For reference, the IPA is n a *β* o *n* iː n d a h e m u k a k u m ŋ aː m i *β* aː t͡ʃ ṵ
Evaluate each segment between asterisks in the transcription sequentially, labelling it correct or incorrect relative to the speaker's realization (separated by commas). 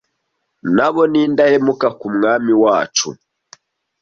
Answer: correct, correct, incorrect